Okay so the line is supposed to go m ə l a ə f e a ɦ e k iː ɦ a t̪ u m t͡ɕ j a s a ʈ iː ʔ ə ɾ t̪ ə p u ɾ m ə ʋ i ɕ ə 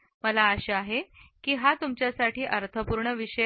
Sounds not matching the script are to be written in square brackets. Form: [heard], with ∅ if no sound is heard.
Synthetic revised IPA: m ə l a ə [ɕ] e a ɦ e k iː ɦ a t̪ u m t͡ɕ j a s a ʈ iː ʔ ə ɾ [t̪ʰ] ə p u ɾ [ɳ] ə ʋ i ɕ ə